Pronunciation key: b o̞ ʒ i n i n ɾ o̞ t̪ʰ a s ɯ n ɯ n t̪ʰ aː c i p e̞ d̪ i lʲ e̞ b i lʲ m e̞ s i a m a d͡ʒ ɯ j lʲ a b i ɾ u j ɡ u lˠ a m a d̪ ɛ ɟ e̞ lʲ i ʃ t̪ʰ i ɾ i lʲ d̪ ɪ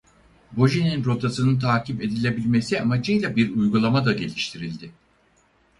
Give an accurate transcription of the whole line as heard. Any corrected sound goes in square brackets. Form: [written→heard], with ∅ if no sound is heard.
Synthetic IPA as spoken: b o̞ ʒ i n i n ɾ o̞ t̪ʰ a s ɯ n ɯ n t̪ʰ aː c i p e̞ d̪ i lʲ e̞ b i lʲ m e̞ s i a m a d͡ʒ ɯ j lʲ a b i ɾ u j ɡ u lˠ a m a d̪ [ɛ→a] ɟ e̞ lʲ i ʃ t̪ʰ i ɾ i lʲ d̪ ɪ